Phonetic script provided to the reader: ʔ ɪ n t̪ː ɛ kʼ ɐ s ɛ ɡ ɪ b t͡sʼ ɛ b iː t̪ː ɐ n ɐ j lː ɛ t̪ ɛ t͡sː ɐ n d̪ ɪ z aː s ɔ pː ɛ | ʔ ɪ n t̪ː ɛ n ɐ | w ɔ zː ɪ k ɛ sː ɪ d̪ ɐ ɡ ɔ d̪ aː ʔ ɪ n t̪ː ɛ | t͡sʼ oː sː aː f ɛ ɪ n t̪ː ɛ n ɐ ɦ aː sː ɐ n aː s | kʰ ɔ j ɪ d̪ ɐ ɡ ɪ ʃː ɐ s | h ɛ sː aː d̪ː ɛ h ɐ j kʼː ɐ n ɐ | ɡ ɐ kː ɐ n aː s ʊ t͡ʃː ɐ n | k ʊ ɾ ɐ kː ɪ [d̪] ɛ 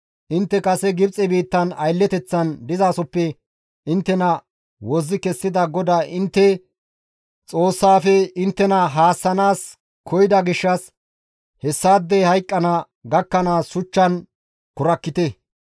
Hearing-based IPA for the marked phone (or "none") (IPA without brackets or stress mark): t̪